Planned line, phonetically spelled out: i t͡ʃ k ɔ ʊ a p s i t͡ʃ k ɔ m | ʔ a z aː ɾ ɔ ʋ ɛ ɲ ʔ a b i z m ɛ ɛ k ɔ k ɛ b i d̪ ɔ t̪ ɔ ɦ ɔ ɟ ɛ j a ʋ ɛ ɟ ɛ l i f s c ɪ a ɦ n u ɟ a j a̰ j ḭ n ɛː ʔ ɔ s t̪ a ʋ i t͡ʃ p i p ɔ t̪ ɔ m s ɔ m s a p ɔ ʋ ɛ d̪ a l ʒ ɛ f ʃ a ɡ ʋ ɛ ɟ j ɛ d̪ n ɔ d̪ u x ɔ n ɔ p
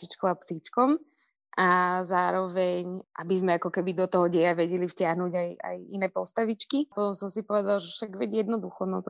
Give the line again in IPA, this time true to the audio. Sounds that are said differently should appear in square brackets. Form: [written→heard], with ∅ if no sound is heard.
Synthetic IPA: i t͡ʃ k ɔ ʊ a p s i t͡ʃ k ɔ m | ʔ a z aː ɾ ɔ ʋ ɛ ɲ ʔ a b i z m ɛ [ɛ→a] k ɔ k ɛ b i d̪ ɔ t̪ ɔ ɦ ɔ ɟ ɛ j a ʋ ɛ ɟ ɛ l i f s c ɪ a ɦ n u ɟ a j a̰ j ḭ n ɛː [ʔ→p] ɔ s t̪ a ʋ i t͡ʃ [p→k] i p ɔ t̪ ɔ m s ɔ m s [a→i] p ɔ ʋ ɛ d̪ a l ʒ ɛ f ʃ a ɡ ʋ ɛ ɟ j ɛ d̪ n ɔ d̪ u x ɔ n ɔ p